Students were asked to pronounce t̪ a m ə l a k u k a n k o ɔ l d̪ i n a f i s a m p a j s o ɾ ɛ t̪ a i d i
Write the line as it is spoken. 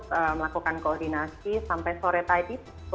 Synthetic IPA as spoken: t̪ ə m ə l a k u k a n k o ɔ r d̪ i n a s i s a m p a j s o ɾ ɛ t̪ a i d i